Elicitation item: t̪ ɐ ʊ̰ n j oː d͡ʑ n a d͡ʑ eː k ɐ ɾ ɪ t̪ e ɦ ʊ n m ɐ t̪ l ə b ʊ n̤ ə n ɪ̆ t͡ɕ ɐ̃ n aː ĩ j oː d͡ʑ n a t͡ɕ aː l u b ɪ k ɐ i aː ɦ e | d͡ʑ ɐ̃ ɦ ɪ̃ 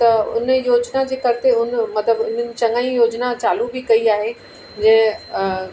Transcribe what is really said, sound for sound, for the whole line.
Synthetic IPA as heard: t̪ ɐ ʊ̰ n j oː d͡ʑ n a d͡ʑ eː k ɐ ɾ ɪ t̪ e ɦ ʊ n m ɐ t̪ l ə b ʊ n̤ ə n ɪ̆ t͡ɕ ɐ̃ ŋ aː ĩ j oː d͡ʑ n a t͡ɕ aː l u b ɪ k ɐ i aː ɦ e | d͡ʑ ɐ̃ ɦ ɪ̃

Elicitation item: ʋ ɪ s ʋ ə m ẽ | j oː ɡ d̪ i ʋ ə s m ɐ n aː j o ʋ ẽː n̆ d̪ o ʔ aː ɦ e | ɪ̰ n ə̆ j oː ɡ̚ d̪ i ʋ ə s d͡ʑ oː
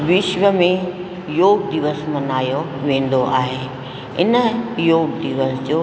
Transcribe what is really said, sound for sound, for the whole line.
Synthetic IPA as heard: ʋ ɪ ʃ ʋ ə m ẽ | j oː ɡ d̪ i ʋ ə s m ɐ n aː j o ʋ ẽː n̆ d̪ o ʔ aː ɦ e | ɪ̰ n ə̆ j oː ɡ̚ d̪ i ʋ ə s d͡ʑ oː

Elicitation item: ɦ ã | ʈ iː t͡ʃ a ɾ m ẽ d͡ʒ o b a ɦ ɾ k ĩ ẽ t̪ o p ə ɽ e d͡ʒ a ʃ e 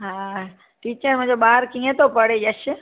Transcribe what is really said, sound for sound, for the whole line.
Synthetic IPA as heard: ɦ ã | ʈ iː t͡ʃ ə ɾ m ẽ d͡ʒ o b a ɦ ɾ k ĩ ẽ t̪ o p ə ɽ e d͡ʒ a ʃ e

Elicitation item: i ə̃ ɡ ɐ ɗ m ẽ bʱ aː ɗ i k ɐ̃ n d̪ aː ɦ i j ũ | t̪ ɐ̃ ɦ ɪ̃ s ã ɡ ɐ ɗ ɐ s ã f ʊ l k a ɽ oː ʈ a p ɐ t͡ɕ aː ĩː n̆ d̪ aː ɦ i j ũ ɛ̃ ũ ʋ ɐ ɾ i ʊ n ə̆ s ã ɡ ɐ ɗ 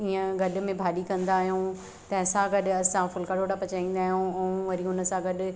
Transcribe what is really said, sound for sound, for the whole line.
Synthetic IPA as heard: i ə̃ ɡ ɐ ɗ m ẽ bʱ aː ɗ i k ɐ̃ n d̪ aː ɦ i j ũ | t̪ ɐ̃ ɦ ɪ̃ s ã ɡ ɐ ɗ ɐ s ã f ʊ l k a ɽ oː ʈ a p ɐ t͡ɕ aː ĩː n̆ d̪ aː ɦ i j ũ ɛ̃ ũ ʋ ɐ ɾ i ʊ n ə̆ s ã ɡ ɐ ɗ

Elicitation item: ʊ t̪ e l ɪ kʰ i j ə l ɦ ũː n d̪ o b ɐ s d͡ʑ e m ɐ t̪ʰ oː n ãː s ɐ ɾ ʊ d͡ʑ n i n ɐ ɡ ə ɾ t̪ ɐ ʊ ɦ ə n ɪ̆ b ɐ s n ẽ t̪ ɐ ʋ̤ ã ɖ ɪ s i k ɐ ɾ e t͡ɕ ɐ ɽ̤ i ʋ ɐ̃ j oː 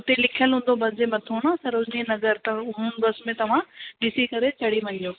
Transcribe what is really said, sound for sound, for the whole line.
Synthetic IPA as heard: ʊ t̪ e l ɪ kʰ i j ə l ɦ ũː n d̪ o b ɐ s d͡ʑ e m ɐ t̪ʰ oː n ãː s ɐ ɾ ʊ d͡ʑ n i n ɐ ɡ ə ɾ t̪ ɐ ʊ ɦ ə n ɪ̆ b ɐ s m ẽ t̪ ɐ ʋ̤ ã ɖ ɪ s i k ɐ ɾ e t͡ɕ ɐ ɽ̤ i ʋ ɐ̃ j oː

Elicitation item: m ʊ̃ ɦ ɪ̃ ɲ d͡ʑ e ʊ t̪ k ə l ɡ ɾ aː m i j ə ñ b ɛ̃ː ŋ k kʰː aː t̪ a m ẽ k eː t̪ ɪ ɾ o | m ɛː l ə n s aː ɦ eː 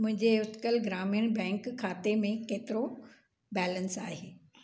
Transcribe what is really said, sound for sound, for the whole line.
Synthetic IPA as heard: m ʊ̃ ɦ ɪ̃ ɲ d͡ʑ e ʊ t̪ k ə l ɡ ɾ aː m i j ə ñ b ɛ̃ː ŋ k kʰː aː t̪ e m ẽ k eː t̪ ɪ ɾ o | b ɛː l ə n s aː ɦ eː

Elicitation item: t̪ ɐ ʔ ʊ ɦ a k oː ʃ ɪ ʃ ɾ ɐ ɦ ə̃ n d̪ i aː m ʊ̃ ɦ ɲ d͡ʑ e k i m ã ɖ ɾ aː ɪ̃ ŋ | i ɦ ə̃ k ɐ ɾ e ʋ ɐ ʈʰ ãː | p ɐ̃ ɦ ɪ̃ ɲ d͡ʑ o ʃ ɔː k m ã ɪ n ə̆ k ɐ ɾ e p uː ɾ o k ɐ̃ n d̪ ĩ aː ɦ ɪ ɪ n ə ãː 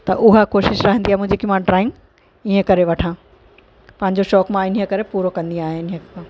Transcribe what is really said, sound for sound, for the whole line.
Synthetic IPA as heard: t̪ ɐ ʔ ʊ ɦ a k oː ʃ ɪ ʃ ɾ ɐ ɦ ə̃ n d̪ i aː m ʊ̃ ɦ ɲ d͡ʑ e k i m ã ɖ ɾ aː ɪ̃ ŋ | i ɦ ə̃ k ɐ ɾ e ʋ ɐ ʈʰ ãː | p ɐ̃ ɦ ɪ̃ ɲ d͡ʑ o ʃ ɔː k m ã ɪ n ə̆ k ɐ ɾ e p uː ɾ o k ɐ̃ n d̪ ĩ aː ɦ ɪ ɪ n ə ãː

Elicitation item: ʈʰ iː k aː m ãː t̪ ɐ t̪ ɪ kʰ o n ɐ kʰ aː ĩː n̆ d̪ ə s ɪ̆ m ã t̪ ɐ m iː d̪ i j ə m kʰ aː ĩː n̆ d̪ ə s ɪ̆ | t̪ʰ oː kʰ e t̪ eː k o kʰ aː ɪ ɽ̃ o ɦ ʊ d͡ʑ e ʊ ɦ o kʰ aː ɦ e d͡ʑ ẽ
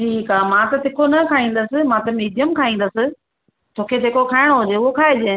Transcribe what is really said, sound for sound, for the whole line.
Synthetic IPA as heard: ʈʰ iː k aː m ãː t̪ ɐ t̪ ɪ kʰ o n ɐ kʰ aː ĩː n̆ d̪ ə s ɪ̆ m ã t̪ ɐ m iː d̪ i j ə m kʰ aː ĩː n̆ d̪ ə s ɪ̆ | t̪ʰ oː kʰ e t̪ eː k o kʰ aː ɪ ɽ̃ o ɦ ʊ d͡ʑ e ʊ ɦ o kʰ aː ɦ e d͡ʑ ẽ

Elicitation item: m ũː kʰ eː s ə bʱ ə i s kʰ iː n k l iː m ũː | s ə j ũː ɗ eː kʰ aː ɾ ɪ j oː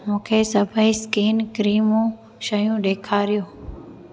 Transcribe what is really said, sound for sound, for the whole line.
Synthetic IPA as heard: m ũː kʰ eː s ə bʱ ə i s k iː n k ɾ iː m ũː | ʃ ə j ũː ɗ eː kʰ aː ɾ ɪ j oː

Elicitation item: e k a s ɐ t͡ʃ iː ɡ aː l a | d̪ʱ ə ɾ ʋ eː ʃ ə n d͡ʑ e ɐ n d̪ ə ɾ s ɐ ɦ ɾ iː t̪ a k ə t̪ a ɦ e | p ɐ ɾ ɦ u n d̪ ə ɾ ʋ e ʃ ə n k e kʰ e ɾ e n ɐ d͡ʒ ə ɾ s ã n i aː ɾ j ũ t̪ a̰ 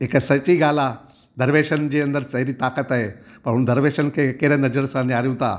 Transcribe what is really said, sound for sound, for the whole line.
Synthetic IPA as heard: e k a s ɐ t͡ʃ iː ɡ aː l a | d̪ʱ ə ɾ ʋ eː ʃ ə n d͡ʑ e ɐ n d̪ ə ɾ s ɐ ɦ ɾ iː t̪ a k ə t̪ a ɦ e | p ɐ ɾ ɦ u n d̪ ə ɾ ʋ e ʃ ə n k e k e ɾ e n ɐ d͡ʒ ə ɾ s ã n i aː ɾ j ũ t̪ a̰

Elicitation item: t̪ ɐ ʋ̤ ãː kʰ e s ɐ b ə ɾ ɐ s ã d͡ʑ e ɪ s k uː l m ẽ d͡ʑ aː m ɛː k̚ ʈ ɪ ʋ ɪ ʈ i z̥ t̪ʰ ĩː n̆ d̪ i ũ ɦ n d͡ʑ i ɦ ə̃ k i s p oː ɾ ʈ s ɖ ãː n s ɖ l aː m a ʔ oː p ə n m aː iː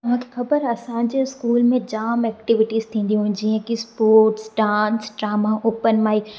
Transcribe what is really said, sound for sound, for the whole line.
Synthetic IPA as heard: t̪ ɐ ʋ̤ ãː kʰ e x ɐ b ə ɾ ɐ s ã d͡ʑ e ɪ s k uː l m ẽ d͡ʑ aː m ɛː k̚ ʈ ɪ ʋ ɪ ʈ i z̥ t̪ʰ ĩː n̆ d̪ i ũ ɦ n d͡ʑ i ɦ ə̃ k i s p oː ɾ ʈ s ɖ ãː n s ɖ ɾ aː m a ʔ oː p ə n m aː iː

